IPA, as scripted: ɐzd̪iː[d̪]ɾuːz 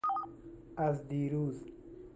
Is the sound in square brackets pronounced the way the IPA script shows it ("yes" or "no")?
no